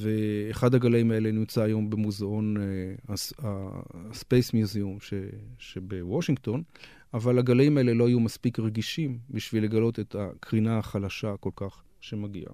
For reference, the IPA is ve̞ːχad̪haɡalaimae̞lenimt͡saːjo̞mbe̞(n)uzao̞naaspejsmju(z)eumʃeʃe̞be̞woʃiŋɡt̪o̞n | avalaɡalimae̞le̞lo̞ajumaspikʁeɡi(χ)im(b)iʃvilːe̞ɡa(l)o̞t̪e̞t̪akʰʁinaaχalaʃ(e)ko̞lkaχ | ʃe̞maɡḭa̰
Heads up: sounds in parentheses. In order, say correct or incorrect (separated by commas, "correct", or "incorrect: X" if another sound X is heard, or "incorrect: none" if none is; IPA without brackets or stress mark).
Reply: incorrect: m, correct, incorrect: ʃ, correct, correct, incorrect: a